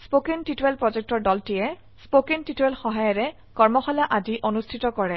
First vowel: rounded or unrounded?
rounded